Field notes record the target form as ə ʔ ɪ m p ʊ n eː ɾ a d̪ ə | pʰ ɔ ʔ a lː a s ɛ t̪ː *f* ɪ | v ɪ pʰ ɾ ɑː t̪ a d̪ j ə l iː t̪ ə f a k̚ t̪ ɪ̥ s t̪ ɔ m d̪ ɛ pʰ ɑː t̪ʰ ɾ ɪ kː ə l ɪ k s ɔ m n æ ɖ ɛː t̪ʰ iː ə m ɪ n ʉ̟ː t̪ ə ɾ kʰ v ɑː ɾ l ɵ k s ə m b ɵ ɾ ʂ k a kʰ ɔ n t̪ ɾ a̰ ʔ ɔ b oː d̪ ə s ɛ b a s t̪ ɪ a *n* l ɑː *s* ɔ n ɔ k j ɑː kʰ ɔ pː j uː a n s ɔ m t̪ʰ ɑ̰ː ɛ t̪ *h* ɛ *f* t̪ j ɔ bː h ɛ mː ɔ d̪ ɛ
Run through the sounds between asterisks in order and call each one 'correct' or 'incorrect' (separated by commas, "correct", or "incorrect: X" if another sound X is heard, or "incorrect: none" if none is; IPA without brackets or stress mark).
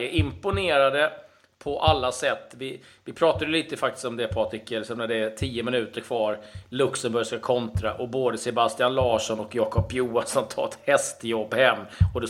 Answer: incorrect: v, correct, incorrect: ʂ, correct, incorrect: s